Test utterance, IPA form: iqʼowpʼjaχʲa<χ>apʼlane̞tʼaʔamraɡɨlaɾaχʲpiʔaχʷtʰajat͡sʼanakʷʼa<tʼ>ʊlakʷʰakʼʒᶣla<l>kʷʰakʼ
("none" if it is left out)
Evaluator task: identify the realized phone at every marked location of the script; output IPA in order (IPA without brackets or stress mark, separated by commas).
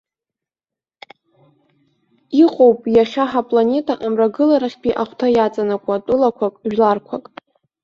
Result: ħ, tʼ, r